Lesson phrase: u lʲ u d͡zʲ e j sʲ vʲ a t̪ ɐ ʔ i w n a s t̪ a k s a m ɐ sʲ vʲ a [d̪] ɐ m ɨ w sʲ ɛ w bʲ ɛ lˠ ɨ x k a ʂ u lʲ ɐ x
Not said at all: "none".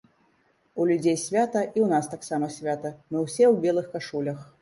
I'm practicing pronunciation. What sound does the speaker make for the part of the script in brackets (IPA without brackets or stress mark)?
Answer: t̪